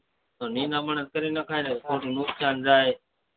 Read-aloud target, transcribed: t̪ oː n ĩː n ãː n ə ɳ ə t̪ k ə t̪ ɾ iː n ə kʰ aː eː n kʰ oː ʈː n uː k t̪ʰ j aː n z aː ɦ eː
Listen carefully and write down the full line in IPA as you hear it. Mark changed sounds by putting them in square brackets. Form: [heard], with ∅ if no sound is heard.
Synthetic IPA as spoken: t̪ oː n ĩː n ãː [m] ə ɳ ə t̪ k ə [∅] ɾ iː n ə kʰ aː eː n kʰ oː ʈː n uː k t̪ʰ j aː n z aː ɦ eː